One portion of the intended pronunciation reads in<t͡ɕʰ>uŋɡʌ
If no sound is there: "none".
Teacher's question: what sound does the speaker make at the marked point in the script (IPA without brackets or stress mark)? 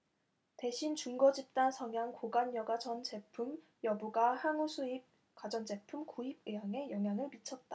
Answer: t͡ɕ